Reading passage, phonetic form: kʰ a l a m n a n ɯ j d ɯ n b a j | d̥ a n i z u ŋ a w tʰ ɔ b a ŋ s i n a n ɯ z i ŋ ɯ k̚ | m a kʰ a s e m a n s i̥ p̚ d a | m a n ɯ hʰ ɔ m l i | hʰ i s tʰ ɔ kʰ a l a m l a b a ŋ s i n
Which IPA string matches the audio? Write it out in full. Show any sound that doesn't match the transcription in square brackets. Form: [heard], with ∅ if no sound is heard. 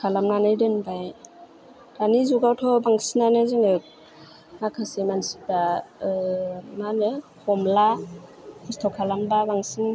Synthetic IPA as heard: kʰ a l a m n a n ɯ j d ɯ n b a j | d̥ a n i z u [ɡ] a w tʰ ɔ b a ŋ s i n a n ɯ z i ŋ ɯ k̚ | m a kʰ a s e m a n s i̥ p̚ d a | m a n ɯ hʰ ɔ m l [a] | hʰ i s tʰ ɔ kʰ a l a m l a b a ŋ s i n